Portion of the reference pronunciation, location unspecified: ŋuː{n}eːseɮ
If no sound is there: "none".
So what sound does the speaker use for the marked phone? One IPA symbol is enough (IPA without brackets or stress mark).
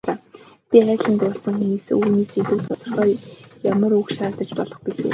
n